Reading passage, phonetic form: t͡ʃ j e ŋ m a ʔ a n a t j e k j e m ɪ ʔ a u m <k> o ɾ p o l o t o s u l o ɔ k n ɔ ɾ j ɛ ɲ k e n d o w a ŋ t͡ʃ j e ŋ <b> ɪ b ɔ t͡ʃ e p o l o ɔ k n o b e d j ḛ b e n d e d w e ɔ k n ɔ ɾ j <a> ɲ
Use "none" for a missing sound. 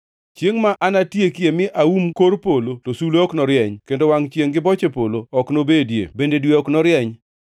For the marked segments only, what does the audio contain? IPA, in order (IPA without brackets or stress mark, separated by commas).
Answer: k, ɡ, ɛ